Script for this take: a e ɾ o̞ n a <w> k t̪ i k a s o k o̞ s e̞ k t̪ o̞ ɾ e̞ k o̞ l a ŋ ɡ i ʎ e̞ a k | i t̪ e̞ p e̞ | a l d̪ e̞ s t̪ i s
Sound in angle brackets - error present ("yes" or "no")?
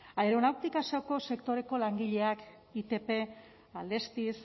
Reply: no